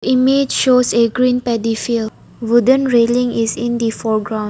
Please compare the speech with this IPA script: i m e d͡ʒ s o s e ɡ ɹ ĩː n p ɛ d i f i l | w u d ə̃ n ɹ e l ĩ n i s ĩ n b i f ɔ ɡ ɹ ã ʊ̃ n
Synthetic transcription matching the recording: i m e d͡ʒ ʃ o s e ɡ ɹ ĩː n p ɛ d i f i l | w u d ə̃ n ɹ e l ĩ ŋ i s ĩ n d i f ɔ ɡ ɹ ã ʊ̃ n